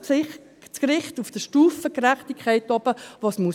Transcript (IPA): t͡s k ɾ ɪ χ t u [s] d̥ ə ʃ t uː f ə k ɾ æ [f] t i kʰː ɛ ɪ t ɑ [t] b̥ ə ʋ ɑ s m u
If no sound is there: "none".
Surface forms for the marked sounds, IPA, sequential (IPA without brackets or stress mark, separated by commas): f, χ, none